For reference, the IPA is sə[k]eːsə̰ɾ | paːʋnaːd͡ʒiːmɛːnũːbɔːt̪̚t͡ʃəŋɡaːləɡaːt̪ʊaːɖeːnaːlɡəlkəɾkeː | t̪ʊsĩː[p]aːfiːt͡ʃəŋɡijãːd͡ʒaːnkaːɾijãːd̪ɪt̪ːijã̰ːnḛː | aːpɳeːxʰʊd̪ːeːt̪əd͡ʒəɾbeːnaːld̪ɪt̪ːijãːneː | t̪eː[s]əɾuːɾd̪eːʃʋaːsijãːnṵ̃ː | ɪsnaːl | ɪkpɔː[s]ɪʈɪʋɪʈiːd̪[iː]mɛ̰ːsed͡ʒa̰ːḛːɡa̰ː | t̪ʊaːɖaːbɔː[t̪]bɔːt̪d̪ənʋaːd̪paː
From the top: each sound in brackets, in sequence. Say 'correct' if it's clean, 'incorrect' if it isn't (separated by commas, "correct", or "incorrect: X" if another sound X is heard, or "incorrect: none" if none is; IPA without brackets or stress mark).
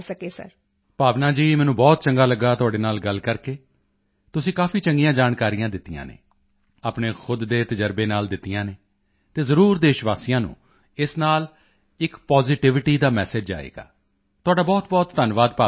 correct, incorrect: k, incorrect: z, incorrect: z, incorrect: aː, correct